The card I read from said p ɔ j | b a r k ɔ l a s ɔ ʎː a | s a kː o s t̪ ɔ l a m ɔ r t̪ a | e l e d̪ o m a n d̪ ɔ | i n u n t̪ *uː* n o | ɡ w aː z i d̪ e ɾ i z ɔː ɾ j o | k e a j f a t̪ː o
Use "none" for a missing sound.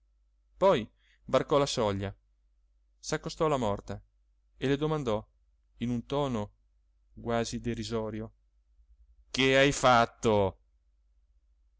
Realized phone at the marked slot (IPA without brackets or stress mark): ɔː